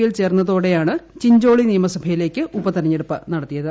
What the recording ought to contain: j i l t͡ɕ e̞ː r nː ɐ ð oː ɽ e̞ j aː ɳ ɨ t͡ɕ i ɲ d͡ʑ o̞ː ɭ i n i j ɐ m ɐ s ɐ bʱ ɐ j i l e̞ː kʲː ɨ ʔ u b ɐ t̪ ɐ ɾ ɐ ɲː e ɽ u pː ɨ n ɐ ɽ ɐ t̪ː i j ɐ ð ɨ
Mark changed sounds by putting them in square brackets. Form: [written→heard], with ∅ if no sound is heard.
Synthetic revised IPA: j i l t͡ɕ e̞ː r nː ɐ ð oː ɽ e̞ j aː ɳ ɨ t͡ɕ i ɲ d͡ʑ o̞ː ɭ i n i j ɐ m ɐ s ɐ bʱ ɐ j i l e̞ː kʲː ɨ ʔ u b ɐ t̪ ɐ ɾ ɐ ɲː e ɽ u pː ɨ n ɐ ɽ ɐ t̪ː i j ɐ ð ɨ